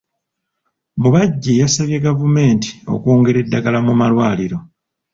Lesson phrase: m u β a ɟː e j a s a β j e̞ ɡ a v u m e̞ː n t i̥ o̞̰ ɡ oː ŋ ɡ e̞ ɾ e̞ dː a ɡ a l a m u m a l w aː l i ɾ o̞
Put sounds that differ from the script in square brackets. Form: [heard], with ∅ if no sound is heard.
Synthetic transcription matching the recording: m u β a ɟː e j a s a β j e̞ ɡ a v u m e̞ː n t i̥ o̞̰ [k] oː ŋ ɡ e̞ ɾ e̞ dː a ɡ a l a m u m a l w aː l i ɾ o̞